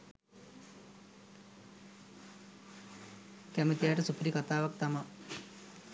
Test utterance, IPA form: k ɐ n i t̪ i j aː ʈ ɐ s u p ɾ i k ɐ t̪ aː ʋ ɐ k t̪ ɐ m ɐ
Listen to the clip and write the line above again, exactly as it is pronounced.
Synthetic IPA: k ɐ m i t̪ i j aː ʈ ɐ s u p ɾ i k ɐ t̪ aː ʋ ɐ k t̪ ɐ m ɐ

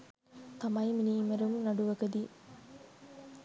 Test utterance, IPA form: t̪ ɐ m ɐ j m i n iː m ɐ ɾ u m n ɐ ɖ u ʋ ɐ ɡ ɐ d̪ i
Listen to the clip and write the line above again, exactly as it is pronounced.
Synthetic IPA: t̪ ɐ m ɐ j m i n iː m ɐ ɾ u m n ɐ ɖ u ʋ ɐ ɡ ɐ d̪ i

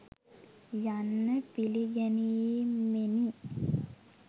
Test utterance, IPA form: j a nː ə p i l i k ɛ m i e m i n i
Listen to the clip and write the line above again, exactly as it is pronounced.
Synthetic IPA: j a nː ə p i l i ɡ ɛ n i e m e n i

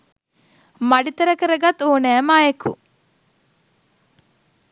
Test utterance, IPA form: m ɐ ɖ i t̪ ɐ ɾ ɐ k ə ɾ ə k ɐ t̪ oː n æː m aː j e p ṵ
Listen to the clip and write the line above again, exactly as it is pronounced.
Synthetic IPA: m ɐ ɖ i t̪ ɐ ɾ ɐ k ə ɾ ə ɡ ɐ t̪ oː n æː m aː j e k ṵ

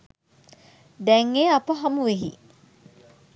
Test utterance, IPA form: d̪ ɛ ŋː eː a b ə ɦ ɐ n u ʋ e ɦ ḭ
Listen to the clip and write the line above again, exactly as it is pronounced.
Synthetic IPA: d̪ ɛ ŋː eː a p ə ɦ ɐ m u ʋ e ɦ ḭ

